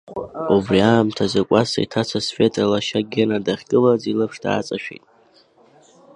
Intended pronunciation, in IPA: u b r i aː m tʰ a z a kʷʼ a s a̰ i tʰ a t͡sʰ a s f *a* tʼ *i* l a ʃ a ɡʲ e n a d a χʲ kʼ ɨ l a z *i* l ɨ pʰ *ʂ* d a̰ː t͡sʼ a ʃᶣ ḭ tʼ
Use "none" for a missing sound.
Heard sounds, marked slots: e, a, i, ʂ

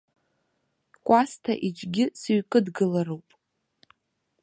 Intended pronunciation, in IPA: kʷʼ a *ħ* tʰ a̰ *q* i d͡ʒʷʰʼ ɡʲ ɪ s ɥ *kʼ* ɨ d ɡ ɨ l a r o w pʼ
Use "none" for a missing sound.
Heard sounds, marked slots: s, ʔ, kʼ

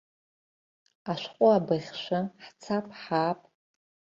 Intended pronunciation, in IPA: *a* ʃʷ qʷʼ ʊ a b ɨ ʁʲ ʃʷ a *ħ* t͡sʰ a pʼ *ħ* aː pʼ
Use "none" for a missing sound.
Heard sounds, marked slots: a, ħ, ħ

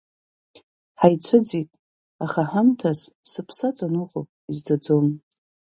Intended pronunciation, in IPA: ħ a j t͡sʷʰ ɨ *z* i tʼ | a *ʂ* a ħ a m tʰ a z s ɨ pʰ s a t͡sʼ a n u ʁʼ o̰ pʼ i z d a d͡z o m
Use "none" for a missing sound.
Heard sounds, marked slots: d͡z, χ

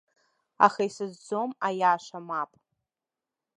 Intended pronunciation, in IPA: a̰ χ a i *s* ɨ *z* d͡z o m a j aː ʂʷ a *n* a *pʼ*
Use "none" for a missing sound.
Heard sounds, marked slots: s, z, m, pʼ

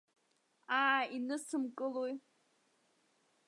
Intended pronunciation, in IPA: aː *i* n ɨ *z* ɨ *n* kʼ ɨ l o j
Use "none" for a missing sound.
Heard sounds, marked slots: i, s, m

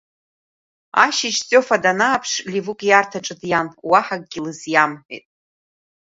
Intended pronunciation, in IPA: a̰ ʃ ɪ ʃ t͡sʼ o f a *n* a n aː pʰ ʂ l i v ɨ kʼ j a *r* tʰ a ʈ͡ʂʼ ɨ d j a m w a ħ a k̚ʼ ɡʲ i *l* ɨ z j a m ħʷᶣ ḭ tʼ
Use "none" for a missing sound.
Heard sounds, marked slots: d, r, l

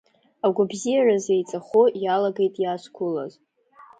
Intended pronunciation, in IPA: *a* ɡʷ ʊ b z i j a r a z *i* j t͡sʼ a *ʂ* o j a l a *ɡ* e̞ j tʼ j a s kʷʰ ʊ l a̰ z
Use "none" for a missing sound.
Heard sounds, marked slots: a, e, χ, ɡ

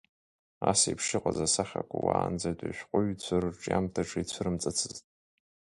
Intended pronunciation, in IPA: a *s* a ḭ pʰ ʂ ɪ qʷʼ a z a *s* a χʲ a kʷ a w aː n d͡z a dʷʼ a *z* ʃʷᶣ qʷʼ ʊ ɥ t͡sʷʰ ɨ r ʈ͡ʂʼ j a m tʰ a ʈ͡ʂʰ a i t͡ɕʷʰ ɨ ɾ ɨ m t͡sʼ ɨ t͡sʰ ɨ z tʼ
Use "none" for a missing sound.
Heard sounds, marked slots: s, s, none

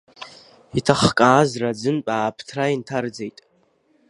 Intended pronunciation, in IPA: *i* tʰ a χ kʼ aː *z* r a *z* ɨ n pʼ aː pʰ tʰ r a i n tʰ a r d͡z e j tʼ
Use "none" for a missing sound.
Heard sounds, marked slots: i, z, d͡z

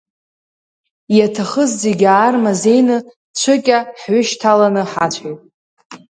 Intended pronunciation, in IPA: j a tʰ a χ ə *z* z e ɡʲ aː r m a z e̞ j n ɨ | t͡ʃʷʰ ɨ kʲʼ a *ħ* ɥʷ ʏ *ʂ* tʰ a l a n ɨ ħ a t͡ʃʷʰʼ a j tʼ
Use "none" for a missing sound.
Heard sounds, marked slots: z, ħ, ʃ

